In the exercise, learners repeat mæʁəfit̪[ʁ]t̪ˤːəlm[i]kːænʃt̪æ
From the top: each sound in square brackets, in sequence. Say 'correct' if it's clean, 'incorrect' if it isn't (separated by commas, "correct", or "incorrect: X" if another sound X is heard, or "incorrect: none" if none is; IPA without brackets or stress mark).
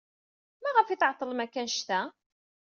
incorrect: ʕ, incorrect: æ